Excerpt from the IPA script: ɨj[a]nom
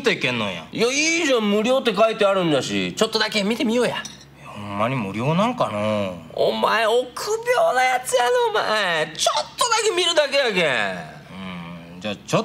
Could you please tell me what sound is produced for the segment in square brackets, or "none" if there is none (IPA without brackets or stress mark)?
a